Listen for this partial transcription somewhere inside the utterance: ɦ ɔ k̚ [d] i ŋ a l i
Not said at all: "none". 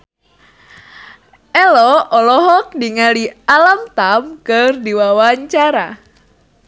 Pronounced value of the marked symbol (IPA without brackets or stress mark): d